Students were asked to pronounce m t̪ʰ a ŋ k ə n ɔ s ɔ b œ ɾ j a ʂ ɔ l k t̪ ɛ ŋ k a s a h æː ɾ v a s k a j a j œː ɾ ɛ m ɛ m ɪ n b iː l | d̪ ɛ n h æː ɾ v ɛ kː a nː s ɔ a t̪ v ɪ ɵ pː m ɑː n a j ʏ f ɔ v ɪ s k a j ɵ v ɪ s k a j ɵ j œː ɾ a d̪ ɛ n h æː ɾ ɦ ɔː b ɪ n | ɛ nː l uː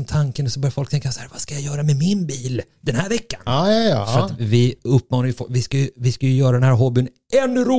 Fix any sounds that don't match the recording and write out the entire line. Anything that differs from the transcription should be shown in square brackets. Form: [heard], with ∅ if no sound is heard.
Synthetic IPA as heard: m t̪ʰ a ŋ k ə n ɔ s ɔ b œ ɾ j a [f] ɔ l k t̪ ɛ ŋ k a s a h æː ɾ v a s k a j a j œː ɾ [a] m ɛ m ɪ n b iː l | d̪ ɛ n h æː ɾ v ɛ kː a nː s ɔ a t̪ v ɪ ɵ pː m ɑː n a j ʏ f ɔ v ɪ s k a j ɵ v ɪ s k a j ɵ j œː ɾ a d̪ ɛ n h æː ɾ ɦ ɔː b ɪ n | ɛ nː [ɾ] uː